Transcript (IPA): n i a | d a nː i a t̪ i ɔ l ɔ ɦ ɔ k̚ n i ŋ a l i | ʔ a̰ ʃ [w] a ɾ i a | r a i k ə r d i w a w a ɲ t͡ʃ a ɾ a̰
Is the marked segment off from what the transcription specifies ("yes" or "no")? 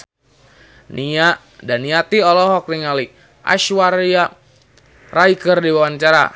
no